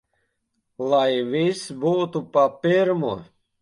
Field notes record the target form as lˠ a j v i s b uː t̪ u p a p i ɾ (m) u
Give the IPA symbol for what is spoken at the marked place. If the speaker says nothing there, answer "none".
m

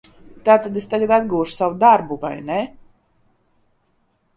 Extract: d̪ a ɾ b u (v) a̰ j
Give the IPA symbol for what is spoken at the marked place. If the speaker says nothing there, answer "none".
v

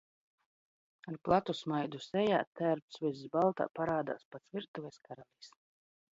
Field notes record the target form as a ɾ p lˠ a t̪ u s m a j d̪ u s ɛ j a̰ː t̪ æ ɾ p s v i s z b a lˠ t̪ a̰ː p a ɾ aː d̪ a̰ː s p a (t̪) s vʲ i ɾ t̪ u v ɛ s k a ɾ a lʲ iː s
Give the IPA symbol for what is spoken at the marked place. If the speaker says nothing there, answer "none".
t̪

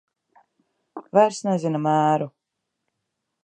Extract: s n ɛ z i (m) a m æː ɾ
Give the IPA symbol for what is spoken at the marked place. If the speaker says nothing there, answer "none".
n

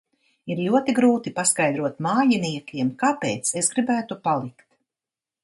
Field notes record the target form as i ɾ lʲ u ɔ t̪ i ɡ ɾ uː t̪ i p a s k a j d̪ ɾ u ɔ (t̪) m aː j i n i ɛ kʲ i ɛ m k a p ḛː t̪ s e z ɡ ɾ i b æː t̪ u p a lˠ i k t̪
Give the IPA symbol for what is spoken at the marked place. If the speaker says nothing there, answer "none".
t̪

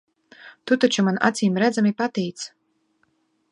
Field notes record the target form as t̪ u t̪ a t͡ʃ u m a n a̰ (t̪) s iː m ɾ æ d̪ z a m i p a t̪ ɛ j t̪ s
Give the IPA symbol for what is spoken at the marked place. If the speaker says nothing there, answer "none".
t̪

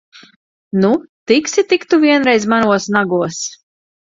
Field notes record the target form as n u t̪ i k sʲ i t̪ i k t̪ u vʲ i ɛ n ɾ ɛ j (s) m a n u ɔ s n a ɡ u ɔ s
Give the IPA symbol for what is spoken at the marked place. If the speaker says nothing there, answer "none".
z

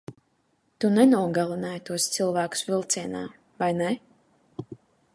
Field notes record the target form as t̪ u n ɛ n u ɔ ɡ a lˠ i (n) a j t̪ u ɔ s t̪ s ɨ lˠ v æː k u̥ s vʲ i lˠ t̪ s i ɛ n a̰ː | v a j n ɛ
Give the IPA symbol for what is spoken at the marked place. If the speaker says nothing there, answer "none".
n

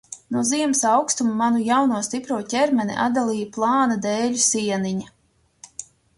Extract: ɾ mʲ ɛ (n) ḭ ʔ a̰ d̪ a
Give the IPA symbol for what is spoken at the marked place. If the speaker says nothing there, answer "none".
n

